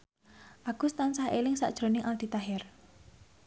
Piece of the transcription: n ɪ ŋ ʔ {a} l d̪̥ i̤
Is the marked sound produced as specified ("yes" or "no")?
yes